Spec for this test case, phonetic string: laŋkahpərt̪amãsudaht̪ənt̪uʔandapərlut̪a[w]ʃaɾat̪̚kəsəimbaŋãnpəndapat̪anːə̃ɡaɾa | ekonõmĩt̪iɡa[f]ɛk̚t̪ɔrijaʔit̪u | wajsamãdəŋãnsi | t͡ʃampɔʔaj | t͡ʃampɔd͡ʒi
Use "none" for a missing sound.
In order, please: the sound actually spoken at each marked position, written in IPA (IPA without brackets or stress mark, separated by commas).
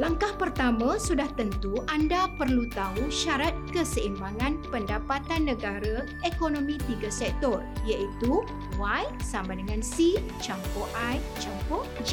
u, s